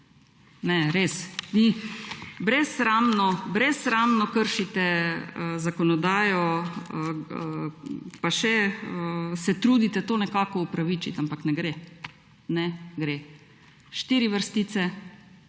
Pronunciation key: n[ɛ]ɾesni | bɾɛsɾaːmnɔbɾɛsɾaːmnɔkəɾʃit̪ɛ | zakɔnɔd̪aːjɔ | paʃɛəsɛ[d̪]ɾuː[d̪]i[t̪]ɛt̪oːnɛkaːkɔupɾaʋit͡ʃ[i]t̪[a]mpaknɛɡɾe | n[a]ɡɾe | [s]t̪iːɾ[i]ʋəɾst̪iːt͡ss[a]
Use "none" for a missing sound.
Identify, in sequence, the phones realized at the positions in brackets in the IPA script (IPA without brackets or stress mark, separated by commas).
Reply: ɛ, t̪, d̪, t̪, i, a, ɛ, ʃ, i, ɛ